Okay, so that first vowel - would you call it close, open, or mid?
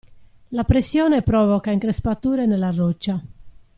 open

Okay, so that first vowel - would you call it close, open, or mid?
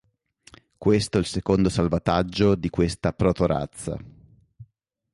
mid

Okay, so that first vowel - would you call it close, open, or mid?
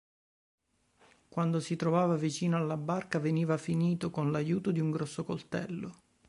open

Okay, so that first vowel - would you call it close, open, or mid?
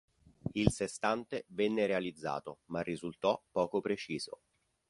close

